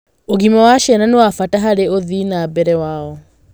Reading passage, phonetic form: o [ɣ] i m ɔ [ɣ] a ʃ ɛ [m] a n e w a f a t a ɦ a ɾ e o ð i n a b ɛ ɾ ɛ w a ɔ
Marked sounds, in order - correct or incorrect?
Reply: correct, incorrect: w, incorrect: n

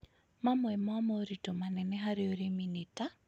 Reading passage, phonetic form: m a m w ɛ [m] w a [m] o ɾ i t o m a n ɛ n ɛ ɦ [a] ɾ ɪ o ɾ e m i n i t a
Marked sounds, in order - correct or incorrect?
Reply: correct, correct, correct

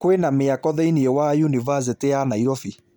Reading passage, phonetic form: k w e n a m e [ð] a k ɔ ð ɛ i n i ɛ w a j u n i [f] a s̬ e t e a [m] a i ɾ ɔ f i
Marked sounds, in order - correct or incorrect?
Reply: incorrect: none, incorrect: v, incorrect: n

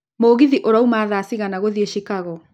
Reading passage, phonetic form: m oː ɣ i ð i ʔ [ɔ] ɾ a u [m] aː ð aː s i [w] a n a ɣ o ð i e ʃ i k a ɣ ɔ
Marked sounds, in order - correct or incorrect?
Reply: incorrect: o, correct, incorrect: ɣ

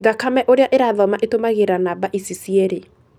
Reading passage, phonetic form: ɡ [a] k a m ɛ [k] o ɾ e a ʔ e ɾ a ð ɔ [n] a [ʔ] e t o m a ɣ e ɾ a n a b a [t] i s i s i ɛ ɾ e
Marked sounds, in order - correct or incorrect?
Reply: correct, incorrect: ʔ, incorrect: m, correct, incorrect: ʔ

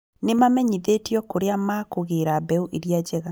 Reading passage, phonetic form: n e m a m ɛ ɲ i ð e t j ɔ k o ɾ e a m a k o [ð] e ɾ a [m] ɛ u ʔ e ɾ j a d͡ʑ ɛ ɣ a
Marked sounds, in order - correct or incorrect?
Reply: incorrect: ɣ, incorrect: b

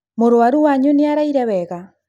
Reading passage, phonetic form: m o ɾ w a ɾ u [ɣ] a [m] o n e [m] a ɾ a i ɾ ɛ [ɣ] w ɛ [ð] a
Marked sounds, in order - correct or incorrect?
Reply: incorrect: w, incorrect: ɲ, incorrect: none, incorrect: none, incorrect: ɣ

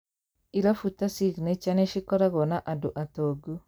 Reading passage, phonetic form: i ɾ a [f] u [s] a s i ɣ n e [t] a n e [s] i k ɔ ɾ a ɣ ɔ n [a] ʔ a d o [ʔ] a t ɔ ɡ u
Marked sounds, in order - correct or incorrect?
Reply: correct, incorrect: t, incorrect: t͡ʃ, incorrect: ʃ, correct, correct

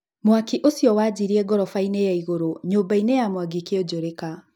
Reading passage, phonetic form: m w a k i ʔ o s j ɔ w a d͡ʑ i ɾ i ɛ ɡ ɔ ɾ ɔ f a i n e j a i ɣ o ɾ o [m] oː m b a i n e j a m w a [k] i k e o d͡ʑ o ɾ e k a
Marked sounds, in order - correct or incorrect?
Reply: incorrect: ɲ, incorrect: ɡ

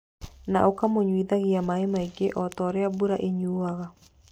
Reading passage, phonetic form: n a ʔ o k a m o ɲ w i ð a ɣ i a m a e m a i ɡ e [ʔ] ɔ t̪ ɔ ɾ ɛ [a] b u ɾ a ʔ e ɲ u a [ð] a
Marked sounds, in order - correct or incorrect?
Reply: correct, correct, incorrect: ɣ

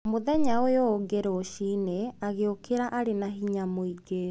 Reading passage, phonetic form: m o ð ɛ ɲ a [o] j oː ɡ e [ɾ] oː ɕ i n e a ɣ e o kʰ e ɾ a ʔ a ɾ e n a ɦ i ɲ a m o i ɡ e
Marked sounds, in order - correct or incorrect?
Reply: correct, correct

